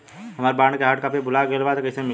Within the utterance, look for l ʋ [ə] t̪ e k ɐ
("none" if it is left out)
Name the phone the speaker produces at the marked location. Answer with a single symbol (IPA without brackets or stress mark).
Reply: a